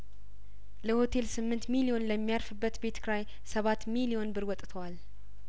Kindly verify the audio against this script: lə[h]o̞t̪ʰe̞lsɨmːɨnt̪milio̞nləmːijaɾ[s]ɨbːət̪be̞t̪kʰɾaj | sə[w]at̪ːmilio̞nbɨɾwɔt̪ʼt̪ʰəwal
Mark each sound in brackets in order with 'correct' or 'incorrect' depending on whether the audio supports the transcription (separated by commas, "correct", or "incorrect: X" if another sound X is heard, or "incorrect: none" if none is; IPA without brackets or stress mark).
correct, incorrect: f, incorrect: β